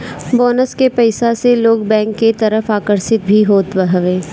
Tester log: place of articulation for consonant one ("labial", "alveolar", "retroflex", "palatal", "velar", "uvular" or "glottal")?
labial